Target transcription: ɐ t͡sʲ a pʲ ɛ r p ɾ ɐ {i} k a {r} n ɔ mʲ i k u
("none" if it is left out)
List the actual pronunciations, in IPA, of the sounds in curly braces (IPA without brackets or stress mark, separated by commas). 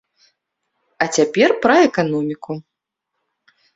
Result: ɛ, none